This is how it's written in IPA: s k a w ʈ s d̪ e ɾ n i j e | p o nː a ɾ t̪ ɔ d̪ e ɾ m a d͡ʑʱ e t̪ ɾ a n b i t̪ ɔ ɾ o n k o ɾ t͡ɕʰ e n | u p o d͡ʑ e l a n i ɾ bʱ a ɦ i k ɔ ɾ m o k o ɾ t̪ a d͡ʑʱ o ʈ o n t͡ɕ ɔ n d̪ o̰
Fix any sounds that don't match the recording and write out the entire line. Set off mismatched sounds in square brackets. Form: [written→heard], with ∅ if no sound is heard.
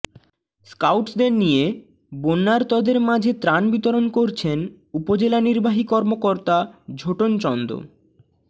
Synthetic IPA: s k a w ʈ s d̪ e ɾ n i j e | [p→b] o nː a ɾ t̪ ɔ d̪ e ɾ m a d͡ʑʱ e t̪ ɾ a n b i t̪ [ɔ→o] ɾ o n k o ɾ t͡ɕʰ e n | u p o d͡ʑ e l a n i ɾ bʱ a ɦ i k ɔ ɾ m o k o ɾ t̪ a d͡ʑʱ o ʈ o n t͡ɕ ɔ n d̪ o̰